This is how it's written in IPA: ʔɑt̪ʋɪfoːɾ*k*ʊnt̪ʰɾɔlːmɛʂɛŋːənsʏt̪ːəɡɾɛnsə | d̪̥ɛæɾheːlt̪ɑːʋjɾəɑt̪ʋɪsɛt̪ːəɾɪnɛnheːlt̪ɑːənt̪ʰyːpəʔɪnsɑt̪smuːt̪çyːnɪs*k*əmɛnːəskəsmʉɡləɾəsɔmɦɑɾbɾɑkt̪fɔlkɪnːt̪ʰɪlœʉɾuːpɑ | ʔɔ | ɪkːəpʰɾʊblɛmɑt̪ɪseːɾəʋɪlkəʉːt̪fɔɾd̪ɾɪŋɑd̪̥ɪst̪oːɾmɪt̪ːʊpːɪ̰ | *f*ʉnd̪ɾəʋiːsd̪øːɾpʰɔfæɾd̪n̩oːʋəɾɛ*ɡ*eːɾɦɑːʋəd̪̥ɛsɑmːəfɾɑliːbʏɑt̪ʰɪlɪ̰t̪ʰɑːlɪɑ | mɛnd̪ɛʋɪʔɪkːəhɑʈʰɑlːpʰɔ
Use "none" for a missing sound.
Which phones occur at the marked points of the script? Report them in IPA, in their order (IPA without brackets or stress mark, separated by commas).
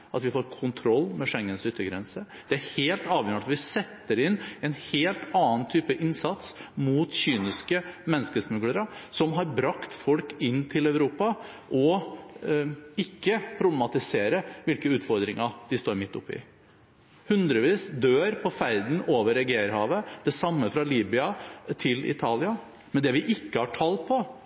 kʰ, k, h, ɡ